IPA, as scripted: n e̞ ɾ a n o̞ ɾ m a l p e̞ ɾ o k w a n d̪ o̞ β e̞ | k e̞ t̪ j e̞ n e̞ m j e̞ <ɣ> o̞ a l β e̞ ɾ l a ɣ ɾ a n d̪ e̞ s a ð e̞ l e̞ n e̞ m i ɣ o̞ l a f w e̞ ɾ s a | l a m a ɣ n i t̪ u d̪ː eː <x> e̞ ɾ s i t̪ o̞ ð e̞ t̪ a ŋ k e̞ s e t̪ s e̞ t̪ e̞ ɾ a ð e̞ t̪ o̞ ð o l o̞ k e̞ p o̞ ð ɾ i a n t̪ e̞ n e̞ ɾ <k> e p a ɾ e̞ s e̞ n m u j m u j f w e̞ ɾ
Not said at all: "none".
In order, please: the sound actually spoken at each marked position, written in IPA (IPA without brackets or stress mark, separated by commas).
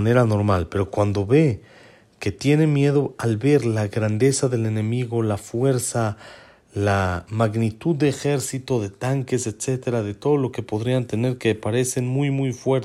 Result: ð, x, k